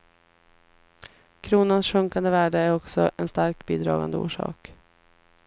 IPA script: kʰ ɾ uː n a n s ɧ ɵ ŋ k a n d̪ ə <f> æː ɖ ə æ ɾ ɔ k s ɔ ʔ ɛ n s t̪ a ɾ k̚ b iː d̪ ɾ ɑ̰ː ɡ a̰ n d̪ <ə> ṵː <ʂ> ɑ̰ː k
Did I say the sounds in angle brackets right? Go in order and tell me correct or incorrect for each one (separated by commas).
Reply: incorrect, correct, correct